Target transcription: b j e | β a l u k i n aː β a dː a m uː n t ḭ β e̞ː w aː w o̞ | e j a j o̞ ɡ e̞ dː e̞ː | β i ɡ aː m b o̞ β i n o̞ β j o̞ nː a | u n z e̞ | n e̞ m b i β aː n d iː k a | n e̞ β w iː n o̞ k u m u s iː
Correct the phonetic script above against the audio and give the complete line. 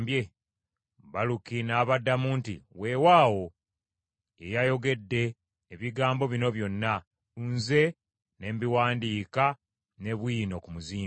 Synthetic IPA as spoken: b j e | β a l u k i n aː β a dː a m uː n t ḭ w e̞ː w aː w o̞ | e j a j o̞ ɡ e̞ dː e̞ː | β i ɡ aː m b o̞ β i n o̞ β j o̞ nː a | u n z e̞ | n e̞ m b i w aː n d iː k a | n e̞ β w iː n o̞ k u m u z iː